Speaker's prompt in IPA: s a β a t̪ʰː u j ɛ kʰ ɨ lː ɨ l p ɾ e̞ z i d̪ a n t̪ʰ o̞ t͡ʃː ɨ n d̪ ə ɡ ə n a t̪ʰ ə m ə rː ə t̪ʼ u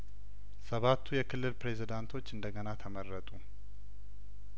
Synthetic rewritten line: s ə β a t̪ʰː u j ɛ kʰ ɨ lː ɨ l p ɾ e̞ z i d̪ a n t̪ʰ o̞ t͡ʃː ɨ n d̪ ə ɡ ə n a t̪ʰ ə m ə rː ə t̪ʼ u